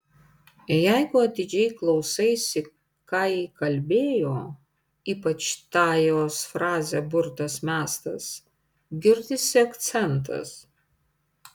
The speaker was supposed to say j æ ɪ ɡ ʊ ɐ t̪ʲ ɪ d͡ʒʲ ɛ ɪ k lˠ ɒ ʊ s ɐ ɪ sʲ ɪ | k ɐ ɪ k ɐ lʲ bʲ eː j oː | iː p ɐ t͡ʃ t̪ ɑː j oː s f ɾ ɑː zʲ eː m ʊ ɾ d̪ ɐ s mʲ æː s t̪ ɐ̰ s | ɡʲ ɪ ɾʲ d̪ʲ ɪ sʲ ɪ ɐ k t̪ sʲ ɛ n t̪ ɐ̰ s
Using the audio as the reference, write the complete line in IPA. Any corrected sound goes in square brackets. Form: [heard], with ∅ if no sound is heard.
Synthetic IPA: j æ ɪ ɡ ʊ ɐ t̪ʲ ɪ d͡ʒʲ ɛ ɪ k lˠ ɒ ʊ s ɐ ɪ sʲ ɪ | k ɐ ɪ k ɐ lʲ bʲ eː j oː | iː p ɐ t͡ʃ t̪ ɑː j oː s f ɾ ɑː zʲ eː [b] ʊ ɾ [t̪] ɐ s mʲ æː s t̪ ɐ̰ s | ɡʲ ɪ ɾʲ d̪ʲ ɪ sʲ ɪ ɐ k t̪ sʲ ɛ n t̪ ɐ̰ s